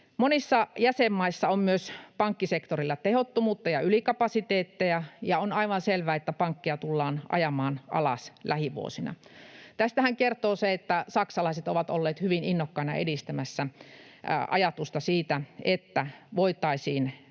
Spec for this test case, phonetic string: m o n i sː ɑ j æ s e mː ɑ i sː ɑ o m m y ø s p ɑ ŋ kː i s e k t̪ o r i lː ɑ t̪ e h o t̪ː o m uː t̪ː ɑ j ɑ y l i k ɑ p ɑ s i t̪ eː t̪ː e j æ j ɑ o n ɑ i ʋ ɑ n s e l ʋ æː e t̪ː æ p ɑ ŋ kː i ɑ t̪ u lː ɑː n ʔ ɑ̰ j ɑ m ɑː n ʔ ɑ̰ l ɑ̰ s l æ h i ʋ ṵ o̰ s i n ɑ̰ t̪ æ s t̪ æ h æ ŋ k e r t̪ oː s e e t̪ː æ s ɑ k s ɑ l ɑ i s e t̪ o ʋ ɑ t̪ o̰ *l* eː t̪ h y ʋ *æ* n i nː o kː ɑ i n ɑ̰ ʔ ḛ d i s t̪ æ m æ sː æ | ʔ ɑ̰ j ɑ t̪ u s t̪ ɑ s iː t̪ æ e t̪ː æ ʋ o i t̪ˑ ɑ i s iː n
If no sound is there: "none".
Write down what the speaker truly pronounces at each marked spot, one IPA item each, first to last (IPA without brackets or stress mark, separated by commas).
lː, i